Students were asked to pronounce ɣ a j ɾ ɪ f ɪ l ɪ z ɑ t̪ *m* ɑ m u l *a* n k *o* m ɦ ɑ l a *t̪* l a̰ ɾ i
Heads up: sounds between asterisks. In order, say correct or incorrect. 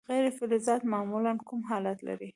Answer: correct, correct, incorrect, correct

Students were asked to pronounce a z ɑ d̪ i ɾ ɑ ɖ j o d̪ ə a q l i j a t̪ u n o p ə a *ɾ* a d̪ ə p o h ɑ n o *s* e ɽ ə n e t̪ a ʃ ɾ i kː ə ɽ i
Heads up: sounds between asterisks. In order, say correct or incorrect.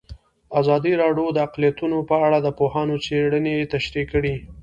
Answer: incorrect, incorrect

